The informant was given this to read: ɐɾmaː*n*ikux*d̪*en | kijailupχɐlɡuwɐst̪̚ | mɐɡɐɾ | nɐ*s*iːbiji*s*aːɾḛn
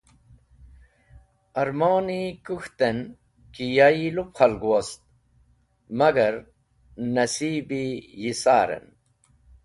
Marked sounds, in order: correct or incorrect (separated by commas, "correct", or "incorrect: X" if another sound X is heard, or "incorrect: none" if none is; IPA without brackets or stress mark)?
correct, incorrect: t̪, correct, correct